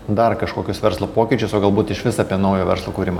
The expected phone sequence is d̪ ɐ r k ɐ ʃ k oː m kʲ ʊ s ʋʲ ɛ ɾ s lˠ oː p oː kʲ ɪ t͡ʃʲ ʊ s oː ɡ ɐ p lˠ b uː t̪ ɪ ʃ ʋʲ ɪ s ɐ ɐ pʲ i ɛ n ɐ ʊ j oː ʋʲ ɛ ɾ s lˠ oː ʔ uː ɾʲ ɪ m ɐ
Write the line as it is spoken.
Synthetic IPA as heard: d̪ ɐ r k ɐ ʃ k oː kʲ ʊ s ʋʲ ɛ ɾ s lˠ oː p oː kʲ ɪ t͡ʃʲ ʊ s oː ɡ ɐ lˠ b uː t̪ ɪ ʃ ʋʲ ɪ s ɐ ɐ pʲ i ɛ n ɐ ʊ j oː ʋʲ ɛ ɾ s lˠ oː k uː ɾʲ ɪ m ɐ